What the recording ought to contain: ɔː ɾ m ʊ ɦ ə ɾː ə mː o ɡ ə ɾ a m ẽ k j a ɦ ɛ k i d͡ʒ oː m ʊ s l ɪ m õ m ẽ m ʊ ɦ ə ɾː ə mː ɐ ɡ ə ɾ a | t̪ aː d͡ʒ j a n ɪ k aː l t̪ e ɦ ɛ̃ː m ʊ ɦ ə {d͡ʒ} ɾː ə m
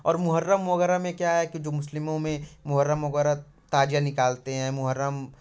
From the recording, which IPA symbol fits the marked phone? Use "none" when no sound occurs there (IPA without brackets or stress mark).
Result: none